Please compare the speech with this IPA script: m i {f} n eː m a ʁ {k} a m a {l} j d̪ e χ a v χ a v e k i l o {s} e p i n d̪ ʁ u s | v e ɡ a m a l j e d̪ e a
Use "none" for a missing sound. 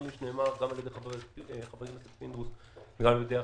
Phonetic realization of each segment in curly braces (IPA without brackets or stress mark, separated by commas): ʃ, ɡ, l, s